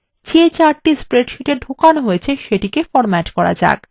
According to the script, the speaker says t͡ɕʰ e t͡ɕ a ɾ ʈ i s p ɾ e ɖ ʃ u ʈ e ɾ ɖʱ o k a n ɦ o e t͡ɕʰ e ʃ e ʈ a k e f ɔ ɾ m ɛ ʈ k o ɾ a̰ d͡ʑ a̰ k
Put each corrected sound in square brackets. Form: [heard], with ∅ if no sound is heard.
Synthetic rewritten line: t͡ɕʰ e t͡ɕ a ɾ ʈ i s p ɾ e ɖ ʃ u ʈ e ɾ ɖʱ o k a n ɦ o e t͡ɕʰ e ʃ e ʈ [i] k e f ɔ ɾ m ɛ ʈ k [ɔ] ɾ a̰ d͡ʑ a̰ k

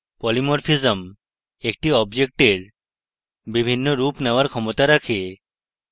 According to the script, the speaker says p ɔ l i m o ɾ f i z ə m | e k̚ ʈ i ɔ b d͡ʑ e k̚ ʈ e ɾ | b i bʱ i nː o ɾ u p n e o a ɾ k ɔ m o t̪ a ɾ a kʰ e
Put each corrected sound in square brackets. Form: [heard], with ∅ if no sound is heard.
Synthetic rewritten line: p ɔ l i m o ɾ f i z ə m | e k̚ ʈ i ɔ b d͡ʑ e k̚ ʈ e ɾ | b i bʱ i nː o ɾ u p n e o a ɾ [kʰ] ɔ m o t̪ a ɾ a kʰ e

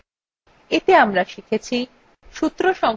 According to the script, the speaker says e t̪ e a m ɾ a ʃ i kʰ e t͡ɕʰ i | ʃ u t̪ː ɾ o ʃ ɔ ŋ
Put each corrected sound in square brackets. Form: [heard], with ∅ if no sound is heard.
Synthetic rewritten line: e t̪ e a m ɾ a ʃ i kʰ e t͡ɕʰ i | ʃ u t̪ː ɾ o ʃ ɔ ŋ

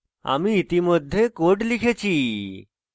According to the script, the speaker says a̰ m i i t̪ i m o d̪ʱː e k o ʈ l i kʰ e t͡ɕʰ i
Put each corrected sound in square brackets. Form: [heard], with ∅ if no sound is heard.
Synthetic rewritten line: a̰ m i i t̪ i m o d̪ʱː e k o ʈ l i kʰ e t͡ɕʰ i

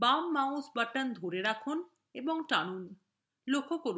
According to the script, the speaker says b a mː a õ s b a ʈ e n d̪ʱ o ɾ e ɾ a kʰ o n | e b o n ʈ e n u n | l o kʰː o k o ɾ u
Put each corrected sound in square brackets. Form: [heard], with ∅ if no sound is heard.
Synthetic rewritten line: b a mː a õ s b a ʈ [a] n d̪ʱ o ɾ e ɾ a kʰ o n | e b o [ŋ] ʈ [a] n u n | l o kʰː o k o ɾ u

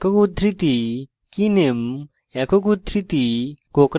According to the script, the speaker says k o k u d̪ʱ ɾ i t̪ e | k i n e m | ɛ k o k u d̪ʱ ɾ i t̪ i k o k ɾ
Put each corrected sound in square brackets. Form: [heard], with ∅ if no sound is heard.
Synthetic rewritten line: k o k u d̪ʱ ɾ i t̪ [i] | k i n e m | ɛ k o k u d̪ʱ ɾ i t̪ i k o k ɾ

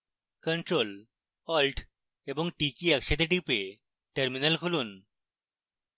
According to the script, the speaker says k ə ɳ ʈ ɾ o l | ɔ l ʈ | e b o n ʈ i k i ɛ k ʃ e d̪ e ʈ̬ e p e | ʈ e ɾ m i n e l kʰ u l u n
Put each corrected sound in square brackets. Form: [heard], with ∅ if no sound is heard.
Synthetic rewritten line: k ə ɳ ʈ ɾ o l | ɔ l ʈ | e b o [ŋ] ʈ i k i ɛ k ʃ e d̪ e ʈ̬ [i] p e | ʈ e ɾ m i n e l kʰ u l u n

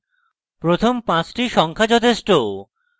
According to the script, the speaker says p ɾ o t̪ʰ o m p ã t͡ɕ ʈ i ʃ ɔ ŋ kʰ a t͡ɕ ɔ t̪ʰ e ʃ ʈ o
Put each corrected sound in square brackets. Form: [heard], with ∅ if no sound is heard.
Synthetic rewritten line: p ɾ o t̪ʰ o m p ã t͡ɕ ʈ i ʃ ɔ ŋ kʰ a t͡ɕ ɔ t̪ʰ e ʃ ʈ o

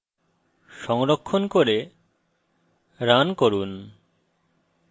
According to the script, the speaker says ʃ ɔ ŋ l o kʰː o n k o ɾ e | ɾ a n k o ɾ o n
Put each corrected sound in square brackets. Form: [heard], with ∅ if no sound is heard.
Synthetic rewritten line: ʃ ɔ ŋ [ɾ] o kʰː o n k o ɾ e | ɾ a n k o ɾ [u] n

